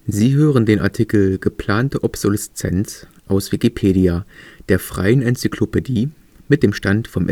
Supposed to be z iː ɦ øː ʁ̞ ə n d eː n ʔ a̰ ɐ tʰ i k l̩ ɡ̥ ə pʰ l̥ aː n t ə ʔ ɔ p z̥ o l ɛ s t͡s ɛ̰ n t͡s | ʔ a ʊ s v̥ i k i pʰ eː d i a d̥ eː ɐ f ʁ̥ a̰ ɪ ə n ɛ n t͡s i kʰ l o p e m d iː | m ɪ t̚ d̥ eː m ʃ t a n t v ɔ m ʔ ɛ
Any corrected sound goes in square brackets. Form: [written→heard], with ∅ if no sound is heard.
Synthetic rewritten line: z iː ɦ øː ʁ̞ ə n d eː n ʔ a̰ ɐ tʰ i k l̩ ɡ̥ ə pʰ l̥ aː n t ə ʔ ɔ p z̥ o l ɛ s t͡s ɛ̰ n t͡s | ʔ a ʊ s v̥ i k i pʰ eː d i a d̥ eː ɐ f ʁ̥ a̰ ɪ ə n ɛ n t͡s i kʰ l o p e [m→∅] d iː | m ɪ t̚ d̥ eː m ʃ t a n t [v→f] ɔ m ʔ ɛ